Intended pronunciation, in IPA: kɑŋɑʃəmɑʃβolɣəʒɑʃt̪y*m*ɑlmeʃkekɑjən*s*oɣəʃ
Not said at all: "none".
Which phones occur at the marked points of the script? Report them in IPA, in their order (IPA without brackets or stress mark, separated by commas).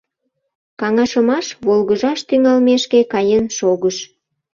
ŋ, ʃ